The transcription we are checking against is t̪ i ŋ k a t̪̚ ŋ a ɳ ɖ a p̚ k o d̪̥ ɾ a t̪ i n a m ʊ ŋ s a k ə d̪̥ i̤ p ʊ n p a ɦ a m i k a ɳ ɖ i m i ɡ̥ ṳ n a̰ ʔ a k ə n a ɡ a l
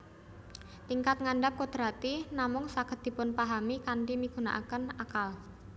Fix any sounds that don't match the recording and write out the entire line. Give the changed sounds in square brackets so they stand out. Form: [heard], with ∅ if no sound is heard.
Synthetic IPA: t̪ i ŋ k a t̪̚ ŋ a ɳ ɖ a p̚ k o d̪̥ ɾ a t̪ i n a m ʊ ŋ s a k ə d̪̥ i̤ p ʊ n p a ɦ a m i k a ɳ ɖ i m i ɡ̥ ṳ n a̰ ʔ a k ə n a [k] a l